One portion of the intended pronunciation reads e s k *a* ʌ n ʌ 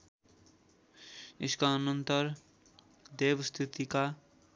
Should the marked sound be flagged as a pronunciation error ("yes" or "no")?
no